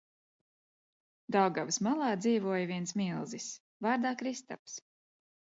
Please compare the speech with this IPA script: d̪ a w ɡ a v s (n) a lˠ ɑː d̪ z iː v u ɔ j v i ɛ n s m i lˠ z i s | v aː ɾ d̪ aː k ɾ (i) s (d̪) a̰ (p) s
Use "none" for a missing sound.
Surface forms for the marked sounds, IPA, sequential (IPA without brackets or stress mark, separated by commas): m, i, t̪, p